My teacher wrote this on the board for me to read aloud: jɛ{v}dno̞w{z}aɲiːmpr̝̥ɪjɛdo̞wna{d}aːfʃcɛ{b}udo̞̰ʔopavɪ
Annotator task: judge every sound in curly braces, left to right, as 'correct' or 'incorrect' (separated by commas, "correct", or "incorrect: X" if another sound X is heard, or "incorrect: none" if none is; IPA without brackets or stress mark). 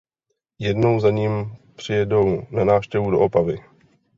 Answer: incorrect: none, correct, incorrect: n, incorrect: v